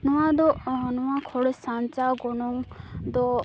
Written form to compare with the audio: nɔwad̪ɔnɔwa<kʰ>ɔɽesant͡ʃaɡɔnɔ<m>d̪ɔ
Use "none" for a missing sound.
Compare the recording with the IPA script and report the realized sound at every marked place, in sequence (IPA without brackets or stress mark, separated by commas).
kʰ, ŋ